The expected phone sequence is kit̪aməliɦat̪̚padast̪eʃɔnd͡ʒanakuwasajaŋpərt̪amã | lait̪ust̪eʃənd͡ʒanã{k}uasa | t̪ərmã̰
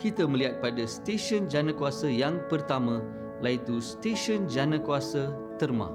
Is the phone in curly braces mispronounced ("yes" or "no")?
no